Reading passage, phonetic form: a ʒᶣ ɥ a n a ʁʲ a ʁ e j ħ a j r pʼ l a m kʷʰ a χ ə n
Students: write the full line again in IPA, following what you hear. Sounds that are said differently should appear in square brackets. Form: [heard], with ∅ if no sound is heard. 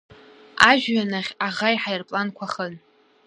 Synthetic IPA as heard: a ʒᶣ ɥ a n a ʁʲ a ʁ [a] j ħ a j r pʼ l a [n] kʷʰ a χ ə n